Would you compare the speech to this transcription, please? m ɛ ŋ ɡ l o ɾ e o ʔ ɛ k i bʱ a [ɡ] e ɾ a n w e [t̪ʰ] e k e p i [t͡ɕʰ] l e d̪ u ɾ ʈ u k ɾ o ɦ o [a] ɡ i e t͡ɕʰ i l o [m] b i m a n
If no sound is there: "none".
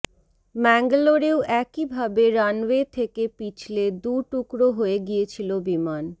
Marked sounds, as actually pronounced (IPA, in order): b, t̪ʰ, t͡ɕʰ, e, none

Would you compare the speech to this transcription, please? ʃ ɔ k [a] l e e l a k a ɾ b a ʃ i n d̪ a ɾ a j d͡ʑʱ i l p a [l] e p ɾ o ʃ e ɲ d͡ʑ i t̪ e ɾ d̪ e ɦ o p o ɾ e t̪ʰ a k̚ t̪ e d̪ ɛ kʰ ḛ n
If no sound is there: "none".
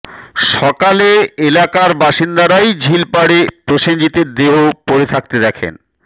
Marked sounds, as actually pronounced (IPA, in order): a, ɽ

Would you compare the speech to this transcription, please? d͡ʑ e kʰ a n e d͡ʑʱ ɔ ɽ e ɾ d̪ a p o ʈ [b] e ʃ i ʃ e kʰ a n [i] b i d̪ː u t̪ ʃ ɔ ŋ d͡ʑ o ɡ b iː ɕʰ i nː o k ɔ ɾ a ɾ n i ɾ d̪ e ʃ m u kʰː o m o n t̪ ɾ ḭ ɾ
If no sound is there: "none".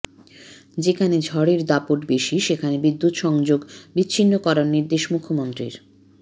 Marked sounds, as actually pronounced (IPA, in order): b, e

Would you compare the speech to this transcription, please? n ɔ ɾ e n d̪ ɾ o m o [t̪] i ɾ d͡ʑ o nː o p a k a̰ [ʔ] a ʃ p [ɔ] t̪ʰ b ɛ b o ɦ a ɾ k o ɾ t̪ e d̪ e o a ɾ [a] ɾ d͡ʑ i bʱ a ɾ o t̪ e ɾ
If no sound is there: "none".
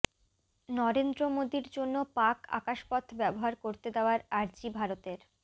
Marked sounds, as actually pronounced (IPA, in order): d̪, k, ɔ, a

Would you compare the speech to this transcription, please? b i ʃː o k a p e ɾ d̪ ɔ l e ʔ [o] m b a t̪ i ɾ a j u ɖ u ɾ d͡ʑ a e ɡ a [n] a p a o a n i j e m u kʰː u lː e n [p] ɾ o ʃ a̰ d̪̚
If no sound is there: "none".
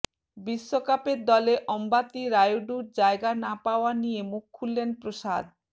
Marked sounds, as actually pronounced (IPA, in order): ɔ, n, p

